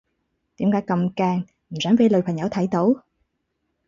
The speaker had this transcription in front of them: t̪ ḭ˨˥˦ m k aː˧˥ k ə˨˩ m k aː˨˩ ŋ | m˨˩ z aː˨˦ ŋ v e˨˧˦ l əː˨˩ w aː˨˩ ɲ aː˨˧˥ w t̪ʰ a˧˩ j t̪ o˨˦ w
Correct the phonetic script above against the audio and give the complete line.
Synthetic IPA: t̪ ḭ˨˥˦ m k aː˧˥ k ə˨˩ m k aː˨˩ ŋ | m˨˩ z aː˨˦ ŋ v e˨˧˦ l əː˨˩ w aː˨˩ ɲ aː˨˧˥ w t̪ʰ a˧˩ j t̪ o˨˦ w